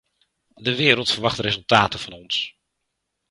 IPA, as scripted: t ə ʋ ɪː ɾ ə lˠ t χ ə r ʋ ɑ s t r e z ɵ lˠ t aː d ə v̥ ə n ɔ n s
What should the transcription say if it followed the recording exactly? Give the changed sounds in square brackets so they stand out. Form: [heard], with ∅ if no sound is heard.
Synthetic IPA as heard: [d] ə ʋ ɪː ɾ ə lˠ t [f] ə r ʋ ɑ [χ] t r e z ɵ lˠ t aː [t] ə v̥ [ɑ] n ɔ n s